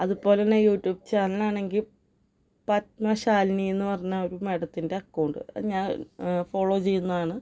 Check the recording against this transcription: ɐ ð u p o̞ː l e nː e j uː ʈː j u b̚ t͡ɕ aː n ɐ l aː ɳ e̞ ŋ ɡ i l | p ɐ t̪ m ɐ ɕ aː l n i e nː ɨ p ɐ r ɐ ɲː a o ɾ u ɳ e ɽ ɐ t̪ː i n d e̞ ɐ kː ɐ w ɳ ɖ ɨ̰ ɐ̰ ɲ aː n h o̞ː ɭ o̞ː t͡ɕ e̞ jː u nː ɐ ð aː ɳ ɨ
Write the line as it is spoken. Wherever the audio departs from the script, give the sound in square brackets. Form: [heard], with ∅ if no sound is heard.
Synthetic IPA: ɐ ð u p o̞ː l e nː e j uː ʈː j [uː] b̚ t͡ɕ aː n ɐ l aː ɳ e̞ ŋ ɡ i l | p ɐ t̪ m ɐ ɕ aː l n i e nː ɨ p ɐ r ɐ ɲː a o ɾ u [m] e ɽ ɐ t̪ː i n d e̞ ɐ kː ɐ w ɳ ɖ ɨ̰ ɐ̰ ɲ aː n [f] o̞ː ɭ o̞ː t͡ɕ e̞ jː u nː ɐ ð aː ɳ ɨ